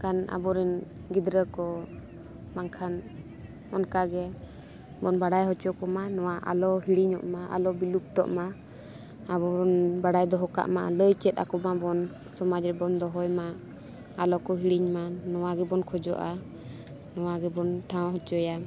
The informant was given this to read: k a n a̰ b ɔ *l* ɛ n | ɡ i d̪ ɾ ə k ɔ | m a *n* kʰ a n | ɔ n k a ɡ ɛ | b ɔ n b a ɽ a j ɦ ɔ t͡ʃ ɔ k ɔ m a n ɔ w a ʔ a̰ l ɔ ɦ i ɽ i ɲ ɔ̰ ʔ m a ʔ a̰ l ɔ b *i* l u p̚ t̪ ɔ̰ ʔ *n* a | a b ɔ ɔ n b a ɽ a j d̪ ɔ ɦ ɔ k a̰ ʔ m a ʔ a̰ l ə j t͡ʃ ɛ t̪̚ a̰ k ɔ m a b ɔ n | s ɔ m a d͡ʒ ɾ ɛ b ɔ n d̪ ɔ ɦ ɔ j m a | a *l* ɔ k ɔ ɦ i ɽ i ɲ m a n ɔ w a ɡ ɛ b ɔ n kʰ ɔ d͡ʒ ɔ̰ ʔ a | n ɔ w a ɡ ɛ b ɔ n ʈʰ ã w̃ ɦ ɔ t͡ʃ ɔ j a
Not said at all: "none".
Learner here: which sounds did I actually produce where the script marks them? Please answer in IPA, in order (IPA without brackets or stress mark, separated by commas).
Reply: ɾ, ŋ, i, m, l